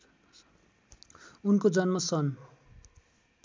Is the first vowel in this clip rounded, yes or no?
yes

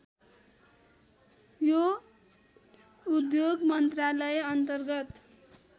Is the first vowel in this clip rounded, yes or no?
yes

